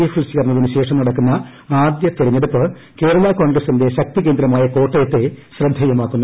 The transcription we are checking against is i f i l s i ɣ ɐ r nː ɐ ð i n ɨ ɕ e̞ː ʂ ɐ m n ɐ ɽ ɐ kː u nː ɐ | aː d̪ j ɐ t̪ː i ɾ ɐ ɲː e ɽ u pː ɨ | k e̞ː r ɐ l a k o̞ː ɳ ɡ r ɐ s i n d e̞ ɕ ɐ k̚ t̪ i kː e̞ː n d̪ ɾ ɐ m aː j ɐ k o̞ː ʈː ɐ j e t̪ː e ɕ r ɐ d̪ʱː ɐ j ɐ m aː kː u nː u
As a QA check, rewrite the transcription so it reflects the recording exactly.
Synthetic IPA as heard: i f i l s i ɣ ɐ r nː ɐ ð i n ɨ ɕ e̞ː ʂ ɐ m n ɐ ɽ ɐ kː u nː ɐ | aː d̪ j ɐ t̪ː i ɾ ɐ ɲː e ɽ u pː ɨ | k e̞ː ɾ ɐ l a k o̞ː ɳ ɡ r ɐ s i n d e̞ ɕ ɐ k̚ t̪ i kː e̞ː n d̪ ɾ ɐ m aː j ɐ k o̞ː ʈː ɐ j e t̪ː e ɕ r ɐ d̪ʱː ɐ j ɐ m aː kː u nː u